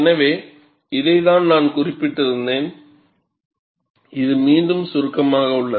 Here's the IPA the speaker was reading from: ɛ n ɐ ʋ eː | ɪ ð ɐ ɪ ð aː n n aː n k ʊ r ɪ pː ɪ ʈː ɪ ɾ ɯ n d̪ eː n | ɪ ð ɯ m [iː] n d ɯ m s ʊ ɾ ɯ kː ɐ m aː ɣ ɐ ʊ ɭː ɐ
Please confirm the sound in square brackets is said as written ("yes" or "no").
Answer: yes